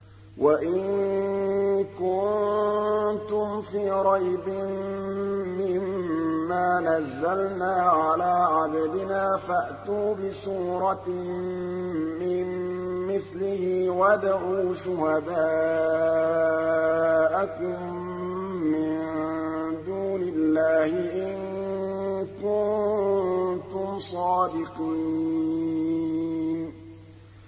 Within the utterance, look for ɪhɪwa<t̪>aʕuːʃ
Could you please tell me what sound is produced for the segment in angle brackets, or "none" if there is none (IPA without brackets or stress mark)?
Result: d̪